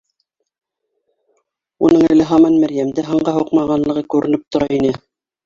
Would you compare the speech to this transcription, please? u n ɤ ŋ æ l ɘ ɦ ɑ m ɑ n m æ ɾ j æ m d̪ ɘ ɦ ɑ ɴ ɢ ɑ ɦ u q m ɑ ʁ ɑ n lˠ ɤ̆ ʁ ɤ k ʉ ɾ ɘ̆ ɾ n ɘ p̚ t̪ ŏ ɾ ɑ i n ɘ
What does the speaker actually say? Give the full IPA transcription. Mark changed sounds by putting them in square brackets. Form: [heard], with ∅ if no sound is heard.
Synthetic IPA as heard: u n ɤ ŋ æ l ɘ ɦ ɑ m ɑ n m æ ɾ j æ m d̪ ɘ ɦ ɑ ɴ ɢ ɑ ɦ u q m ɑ ʁ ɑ n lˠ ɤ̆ ʁ ɤ k ʉ ɾ ɘ̆ [∅] n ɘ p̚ t̪ ŏ ɾ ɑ i n ɘ